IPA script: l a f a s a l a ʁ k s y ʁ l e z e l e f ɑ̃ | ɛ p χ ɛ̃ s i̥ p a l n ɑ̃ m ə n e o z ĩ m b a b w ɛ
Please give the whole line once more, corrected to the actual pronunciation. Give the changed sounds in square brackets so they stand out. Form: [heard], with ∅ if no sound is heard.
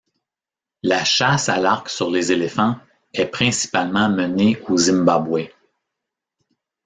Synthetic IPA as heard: l a [ʃ] a s a l a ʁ k s y ʁ l e z e l e f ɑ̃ | ɛ p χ ɛ̃ s i̥ p a l [m] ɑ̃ m ə n e o z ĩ m b a b w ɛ